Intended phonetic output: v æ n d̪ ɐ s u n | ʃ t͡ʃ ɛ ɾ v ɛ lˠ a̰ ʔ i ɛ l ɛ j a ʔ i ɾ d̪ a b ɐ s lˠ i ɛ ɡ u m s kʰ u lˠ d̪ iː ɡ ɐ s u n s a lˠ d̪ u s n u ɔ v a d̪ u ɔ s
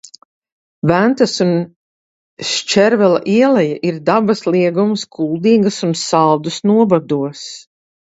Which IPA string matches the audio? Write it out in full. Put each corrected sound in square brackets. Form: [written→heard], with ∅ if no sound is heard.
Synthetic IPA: v æ n [d̪→t̪] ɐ s u n | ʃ t͡ʃ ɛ ɾ v ɛ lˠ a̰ ʔ i ɛ l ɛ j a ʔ i ɾ d̪ a b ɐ s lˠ i ɛ ɡ u m s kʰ u lˠ d̪ iː ɡ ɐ s u n s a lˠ d̪ u s n u ɔ [v→b] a d̪ u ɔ s